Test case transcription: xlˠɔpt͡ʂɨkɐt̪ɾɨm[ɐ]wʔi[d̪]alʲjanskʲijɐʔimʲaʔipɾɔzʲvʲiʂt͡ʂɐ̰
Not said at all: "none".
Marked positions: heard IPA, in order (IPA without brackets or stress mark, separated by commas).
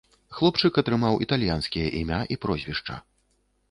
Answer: a, t̪